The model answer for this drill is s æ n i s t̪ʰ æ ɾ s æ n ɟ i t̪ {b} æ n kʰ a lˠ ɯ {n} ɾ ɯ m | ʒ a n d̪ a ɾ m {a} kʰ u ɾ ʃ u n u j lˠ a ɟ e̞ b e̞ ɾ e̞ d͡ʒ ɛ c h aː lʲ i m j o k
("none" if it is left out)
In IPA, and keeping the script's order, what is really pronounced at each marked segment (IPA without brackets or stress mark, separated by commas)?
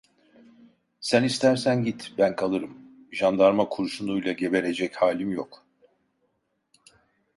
b, none, a